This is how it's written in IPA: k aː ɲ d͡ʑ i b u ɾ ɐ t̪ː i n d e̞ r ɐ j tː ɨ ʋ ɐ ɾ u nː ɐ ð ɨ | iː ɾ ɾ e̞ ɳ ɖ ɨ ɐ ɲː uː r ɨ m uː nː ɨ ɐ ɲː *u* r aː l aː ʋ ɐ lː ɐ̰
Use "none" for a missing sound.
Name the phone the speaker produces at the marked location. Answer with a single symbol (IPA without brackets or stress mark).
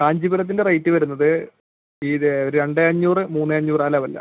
uː